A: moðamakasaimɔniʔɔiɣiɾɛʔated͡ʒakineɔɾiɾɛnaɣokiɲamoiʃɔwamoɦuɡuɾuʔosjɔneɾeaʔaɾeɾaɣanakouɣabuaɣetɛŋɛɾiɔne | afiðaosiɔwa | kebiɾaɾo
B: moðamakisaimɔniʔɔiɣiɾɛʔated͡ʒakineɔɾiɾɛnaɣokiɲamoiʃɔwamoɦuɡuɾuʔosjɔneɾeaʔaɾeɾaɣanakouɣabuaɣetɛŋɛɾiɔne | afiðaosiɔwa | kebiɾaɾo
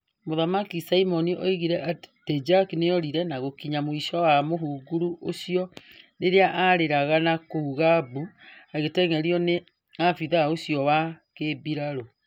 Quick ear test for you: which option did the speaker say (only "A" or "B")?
B